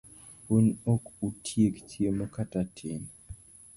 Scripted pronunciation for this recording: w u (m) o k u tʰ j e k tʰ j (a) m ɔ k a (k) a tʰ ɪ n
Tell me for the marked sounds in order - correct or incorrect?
incorrect: n, incorrect: e, incorrect: t

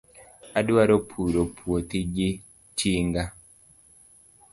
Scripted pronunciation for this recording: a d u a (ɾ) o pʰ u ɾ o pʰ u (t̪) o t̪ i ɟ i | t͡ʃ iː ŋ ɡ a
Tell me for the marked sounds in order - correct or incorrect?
correct, incorrect: none

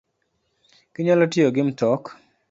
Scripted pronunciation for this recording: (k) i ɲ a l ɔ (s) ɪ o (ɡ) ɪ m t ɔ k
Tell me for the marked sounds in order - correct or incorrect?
correct, incorrect: t, correct

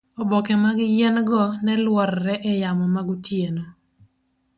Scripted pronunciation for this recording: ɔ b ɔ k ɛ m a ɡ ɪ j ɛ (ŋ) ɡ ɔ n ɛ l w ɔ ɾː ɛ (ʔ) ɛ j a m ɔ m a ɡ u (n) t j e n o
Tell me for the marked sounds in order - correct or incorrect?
incorrect: n, correct, incorrect: none

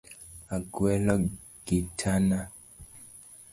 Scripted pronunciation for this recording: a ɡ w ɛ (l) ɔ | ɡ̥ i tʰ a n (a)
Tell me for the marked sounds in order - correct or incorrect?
correct, correct

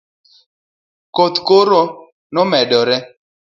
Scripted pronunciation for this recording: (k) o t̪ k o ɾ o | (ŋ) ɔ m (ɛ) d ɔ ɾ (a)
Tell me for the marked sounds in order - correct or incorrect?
correct, incorrect: n, correct, incorrect: ɛ

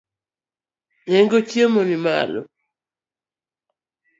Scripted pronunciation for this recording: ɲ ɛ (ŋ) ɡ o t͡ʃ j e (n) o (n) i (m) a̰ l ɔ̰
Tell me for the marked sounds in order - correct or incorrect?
correct, incorrect: m, correct, correct

